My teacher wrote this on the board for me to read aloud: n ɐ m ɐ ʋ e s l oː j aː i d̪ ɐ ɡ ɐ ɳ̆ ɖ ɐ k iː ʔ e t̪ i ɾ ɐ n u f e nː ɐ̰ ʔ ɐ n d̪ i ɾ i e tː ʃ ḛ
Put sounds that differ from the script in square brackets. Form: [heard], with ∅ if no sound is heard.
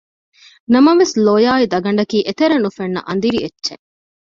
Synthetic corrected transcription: n ɐ m ɐ ʋ e s l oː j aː i d̪ ɐ ɡ ɐ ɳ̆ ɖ ɐ k iː ʔ e t̪ [e] ɾ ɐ n u f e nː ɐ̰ ʔ ɐ n d̪ i ɾ i e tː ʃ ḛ